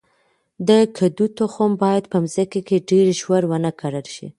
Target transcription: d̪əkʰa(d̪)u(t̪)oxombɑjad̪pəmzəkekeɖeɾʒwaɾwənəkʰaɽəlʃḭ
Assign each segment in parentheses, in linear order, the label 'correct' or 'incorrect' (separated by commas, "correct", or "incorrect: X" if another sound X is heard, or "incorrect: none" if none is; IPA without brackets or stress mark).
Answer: correct, correct